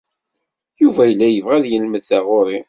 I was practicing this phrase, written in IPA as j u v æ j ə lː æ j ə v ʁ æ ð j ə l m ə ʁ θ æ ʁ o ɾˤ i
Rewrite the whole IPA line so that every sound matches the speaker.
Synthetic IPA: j u v æ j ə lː æ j ə v ʁ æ ð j ə l m ə ð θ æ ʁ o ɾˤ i